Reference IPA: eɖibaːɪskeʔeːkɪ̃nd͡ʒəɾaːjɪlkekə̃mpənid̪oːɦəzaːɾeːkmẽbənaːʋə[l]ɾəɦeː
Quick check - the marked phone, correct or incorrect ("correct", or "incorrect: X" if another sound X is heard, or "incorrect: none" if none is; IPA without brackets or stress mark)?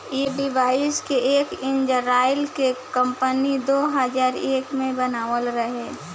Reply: correct